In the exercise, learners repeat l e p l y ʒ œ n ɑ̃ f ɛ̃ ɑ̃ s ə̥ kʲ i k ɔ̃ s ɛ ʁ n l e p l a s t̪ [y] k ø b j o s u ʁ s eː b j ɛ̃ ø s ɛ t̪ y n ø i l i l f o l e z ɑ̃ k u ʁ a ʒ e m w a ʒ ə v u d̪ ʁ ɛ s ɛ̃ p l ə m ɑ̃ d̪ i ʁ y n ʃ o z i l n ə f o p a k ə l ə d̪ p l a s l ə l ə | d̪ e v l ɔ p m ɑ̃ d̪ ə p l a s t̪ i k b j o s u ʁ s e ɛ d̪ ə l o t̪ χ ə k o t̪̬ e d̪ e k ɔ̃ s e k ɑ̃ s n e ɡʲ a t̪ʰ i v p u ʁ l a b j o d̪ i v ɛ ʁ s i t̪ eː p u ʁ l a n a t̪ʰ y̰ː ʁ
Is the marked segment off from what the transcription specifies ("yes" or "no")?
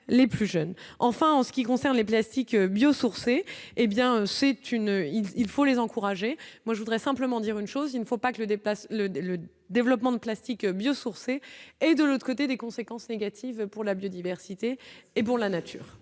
yes